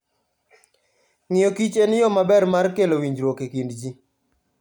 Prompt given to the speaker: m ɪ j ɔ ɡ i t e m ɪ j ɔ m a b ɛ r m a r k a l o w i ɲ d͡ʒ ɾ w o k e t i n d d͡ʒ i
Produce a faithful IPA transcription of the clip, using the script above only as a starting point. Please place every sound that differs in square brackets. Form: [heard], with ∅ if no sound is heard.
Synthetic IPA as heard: [ŋ] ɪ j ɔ [k] i [t͡ʃ] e [n] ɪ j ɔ m a b ɛ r m a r k [e] l o w i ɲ d͡ʒ ɾ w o k e [k] i n d d͡ʒ i